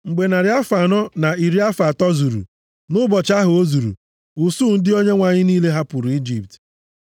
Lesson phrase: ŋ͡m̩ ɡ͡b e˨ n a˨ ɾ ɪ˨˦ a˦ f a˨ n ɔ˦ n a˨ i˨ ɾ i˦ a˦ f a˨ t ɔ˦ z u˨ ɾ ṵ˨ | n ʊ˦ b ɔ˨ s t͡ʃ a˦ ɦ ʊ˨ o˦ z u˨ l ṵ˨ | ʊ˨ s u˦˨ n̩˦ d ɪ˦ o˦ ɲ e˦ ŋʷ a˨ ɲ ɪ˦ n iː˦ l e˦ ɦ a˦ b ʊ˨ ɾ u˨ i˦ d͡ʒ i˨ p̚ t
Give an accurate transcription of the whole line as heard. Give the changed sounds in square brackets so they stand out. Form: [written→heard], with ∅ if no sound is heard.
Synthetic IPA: ŋ͡m̩ ɡ͡b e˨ n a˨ ɾ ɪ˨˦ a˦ f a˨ n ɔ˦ n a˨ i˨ ɾ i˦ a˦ f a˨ t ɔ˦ z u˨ ɾ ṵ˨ | n ʊ˦ b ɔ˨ [s→∅] t͡ʃ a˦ ɦ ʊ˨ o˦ z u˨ [l→ɾ] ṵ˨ | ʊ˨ s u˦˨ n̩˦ d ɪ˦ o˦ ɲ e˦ ŋʷ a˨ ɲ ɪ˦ n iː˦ l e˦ ɦ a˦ [b→p] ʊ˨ ɾ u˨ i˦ d͡ʒ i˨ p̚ t